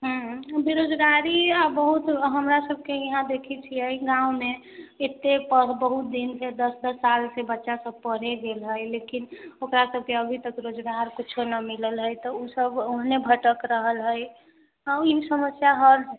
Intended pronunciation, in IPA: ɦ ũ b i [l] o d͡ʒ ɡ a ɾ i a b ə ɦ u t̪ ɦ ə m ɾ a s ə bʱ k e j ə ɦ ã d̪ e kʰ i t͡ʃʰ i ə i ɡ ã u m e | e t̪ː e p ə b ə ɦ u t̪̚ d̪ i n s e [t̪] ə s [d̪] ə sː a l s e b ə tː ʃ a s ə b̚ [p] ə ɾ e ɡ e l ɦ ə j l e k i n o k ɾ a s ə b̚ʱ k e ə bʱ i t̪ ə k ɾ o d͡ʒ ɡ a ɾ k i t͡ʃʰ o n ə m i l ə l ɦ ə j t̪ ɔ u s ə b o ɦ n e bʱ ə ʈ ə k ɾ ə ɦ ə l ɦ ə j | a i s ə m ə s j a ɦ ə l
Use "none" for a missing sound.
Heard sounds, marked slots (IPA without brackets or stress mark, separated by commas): ɾ, d̪, d̪, p